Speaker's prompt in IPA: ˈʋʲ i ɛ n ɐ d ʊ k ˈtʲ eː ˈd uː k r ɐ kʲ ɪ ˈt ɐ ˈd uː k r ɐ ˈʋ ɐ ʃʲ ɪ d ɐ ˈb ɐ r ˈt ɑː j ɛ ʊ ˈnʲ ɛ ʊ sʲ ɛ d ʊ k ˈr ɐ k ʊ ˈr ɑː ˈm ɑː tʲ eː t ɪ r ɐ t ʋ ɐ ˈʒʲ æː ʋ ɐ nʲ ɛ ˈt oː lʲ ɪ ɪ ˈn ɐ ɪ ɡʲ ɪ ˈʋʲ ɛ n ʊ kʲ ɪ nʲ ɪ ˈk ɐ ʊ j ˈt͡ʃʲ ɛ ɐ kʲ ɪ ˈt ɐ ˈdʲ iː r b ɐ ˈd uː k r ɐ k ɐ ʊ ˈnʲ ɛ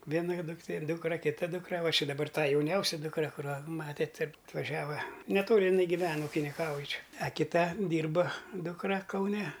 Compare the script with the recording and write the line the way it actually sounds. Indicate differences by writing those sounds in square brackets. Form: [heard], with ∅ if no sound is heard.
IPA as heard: ˈʋʲ i ɛ n ɐ d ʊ k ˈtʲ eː ˈd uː k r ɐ kʲ ɪ ˈt ɐ ˈd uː k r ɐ ˈʋ ɐ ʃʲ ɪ d ɐ ˈb ɐ r ˈt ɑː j ɛ ʊ ˈnʲ ɛ ʊ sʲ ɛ d ʊ k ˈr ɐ k ʊ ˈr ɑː ˈm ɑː tʲ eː t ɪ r ɐ t ʋ ɐ ˈʒʲ æː ʋ ɐ nʲ ɛ ˈt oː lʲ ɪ ɪ ˈn ɐ ɪ ɡʲ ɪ ˈʋʲ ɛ n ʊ kʲ ɪ nʲ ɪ ˈk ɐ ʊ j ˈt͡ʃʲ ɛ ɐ kʲ ɪ ˈt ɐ ˈdʲ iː r b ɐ ˈd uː k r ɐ k ɐ ʊ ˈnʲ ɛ